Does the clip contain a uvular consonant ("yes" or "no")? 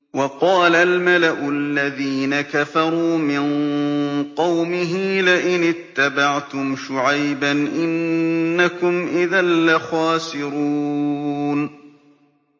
yes